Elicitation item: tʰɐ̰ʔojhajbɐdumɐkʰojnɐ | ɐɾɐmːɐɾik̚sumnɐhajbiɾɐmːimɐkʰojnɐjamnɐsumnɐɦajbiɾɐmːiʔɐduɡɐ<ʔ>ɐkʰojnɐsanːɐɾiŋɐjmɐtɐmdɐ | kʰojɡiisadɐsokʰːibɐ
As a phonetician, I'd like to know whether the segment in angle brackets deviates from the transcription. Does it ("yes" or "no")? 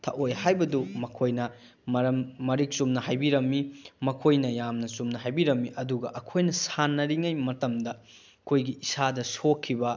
no